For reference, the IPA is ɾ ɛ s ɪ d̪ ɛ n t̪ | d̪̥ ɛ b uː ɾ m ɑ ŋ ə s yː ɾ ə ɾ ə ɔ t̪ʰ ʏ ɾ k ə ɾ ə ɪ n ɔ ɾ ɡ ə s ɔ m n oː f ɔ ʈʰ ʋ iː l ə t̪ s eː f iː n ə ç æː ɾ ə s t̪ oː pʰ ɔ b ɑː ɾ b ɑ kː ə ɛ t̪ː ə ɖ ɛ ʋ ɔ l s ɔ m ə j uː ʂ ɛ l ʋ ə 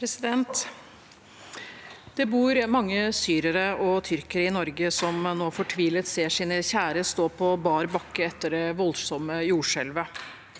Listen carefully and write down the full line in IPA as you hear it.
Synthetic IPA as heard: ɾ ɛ s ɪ d̪ ɛ n t̪ | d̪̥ ɛ b uː ɾ m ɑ ŋː ə s yː ɾ ə ɾ ə ɔ t̪ʰ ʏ ɾ k ə ɾ ə ɪ n ɔ ɾ ɡ ə s ɔ m n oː f ɔ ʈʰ ʋ iː l ə t̪ s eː ʂ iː n ə ç æː ɾ ə s t̪ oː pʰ ɔ b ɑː ɾ b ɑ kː ə ɛ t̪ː ə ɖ ɛ ʋ ɔ l s ɔ m ə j uː ʂ ɛ l ʋ ə